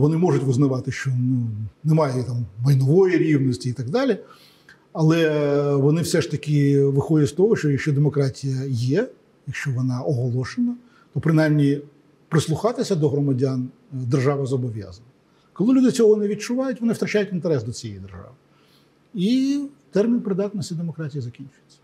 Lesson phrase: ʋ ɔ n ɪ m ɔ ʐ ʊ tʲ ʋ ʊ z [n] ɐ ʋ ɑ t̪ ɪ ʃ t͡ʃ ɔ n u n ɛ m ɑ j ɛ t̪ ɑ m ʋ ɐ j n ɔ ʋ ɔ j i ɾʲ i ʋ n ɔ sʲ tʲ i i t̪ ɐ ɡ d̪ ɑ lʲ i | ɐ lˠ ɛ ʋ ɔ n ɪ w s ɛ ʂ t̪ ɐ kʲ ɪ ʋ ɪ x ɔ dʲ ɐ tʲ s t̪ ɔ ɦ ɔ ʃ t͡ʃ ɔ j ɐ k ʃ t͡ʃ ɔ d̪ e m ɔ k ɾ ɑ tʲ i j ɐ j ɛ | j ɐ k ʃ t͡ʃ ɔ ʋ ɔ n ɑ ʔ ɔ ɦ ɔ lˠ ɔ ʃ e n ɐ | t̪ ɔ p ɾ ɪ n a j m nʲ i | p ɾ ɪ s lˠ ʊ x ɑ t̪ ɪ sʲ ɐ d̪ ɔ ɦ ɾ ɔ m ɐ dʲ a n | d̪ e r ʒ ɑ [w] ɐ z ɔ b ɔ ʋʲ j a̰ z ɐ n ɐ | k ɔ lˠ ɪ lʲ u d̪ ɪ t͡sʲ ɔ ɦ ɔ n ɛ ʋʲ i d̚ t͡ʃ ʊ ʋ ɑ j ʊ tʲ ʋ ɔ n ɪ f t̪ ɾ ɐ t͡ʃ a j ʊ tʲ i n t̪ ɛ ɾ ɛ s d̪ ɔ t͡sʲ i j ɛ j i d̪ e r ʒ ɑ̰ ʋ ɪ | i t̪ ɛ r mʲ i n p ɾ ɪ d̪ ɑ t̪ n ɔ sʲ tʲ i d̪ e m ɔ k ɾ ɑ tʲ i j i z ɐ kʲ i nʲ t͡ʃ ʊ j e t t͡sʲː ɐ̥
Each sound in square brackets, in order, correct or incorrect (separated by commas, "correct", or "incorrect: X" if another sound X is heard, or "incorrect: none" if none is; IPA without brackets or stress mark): correct, incorrect: ʋ